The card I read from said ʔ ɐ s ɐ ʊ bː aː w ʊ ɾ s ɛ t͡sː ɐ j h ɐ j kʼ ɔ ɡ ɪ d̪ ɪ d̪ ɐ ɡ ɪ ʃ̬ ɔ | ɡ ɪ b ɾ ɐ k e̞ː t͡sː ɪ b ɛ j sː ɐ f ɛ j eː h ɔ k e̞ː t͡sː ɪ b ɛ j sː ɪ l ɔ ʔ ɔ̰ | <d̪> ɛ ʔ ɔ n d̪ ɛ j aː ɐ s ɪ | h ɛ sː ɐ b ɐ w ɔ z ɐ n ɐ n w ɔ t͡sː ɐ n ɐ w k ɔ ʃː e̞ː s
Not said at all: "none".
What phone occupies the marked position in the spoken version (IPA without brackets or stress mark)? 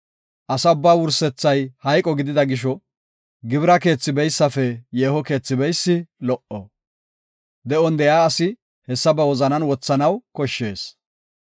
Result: d̪